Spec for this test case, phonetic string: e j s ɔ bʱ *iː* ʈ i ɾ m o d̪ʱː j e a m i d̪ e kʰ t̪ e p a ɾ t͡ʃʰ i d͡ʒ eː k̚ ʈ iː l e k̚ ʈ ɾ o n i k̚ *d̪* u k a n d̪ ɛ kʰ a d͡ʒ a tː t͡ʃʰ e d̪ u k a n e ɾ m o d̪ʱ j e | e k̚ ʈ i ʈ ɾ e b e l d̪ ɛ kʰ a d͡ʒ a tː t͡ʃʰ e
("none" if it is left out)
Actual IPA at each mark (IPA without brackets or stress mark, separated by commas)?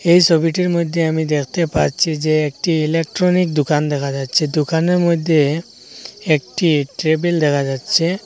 i, d̪